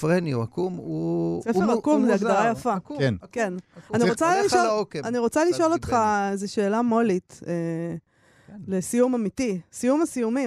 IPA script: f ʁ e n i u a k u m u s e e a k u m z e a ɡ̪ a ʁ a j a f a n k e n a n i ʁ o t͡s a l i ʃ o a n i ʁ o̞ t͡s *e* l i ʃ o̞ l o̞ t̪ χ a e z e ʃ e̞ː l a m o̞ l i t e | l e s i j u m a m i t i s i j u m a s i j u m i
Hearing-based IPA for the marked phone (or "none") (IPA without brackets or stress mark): a